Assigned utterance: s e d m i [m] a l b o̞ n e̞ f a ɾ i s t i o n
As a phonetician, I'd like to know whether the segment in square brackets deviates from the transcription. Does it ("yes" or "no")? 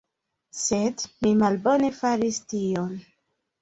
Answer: no